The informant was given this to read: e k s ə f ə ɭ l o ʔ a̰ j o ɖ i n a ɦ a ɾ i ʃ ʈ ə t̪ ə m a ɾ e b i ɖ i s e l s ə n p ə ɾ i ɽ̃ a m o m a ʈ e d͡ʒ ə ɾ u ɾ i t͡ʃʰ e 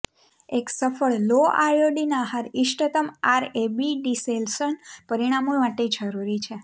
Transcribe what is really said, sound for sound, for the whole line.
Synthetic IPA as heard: e k s ə f ə ɭ l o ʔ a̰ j o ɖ i n a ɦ a ɾ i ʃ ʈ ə t̪ ə m a ɾ e b i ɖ i s e l s ə n p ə ɾ i ɽ̃ a m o m a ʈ e d͡ʒ ə ɾ u ɾ i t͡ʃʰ e